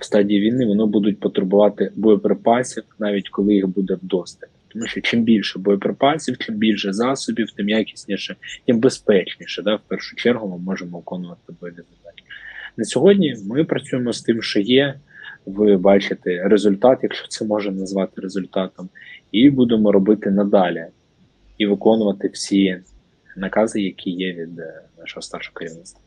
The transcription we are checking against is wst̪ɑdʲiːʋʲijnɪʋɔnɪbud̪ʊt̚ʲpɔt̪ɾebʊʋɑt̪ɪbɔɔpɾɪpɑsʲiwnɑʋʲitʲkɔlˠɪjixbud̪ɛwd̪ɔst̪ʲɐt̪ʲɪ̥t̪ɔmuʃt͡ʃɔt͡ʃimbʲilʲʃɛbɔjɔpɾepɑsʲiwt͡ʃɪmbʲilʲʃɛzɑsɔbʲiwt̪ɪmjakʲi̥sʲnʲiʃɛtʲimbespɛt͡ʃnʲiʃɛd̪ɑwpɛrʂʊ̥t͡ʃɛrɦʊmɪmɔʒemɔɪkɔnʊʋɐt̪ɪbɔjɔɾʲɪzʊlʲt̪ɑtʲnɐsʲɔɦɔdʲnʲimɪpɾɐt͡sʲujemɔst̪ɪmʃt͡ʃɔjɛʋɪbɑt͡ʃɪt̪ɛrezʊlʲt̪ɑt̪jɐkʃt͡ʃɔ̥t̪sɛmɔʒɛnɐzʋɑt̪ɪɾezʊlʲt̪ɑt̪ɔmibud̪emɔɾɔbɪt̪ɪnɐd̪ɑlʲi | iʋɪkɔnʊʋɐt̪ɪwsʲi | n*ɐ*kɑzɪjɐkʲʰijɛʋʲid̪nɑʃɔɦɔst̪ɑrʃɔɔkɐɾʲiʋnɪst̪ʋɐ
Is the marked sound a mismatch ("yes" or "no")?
no